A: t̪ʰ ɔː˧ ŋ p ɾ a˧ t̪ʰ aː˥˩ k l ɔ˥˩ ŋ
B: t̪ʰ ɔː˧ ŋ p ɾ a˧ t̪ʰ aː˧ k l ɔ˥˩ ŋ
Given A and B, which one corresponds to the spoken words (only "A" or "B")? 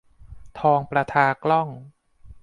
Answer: B